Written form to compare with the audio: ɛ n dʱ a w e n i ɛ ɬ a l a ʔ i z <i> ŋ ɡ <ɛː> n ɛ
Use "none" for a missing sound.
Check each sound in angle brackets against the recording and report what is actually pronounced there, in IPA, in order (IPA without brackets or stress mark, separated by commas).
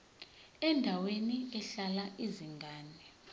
i, aː